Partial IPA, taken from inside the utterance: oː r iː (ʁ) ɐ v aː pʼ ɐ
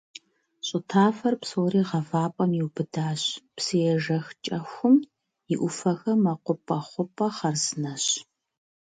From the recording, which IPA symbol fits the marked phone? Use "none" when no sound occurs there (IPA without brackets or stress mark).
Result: ʁ